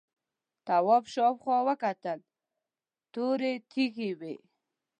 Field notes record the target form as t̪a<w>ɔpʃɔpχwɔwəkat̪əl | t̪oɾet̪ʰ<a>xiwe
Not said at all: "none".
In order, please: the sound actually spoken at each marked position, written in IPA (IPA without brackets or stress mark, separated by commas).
w, i